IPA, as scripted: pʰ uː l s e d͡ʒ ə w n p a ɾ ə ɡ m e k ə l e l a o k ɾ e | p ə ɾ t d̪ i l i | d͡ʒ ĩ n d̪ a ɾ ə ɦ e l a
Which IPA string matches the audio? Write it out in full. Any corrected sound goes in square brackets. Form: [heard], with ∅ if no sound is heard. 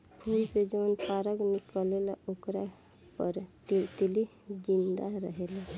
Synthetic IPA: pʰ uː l s e d͡ʒ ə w n p a ɾ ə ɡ m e k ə l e l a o k ɾ [a] | p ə ɾ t [t̪] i l i | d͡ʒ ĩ n d̪ a ɾ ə ɦ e l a